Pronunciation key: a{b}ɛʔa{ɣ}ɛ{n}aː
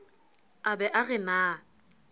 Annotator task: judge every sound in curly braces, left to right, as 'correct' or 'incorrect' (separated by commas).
correct, correct, correct